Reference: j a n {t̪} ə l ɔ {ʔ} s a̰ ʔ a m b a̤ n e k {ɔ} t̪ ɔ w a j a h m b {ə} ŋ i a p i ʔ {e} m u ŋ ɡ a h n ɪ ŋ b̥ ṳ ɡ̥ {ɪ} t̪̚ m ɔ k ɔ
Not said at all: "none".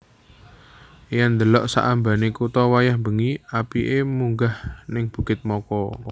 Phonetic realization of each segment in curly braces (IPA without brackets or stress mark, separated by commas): d̪, ʔ, u, ə, e, ɪ